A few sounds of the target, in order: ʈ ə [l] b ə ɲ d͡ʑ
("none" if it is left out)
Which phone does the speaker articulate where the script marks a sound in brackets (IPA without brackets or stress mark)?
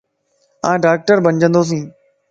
ɾ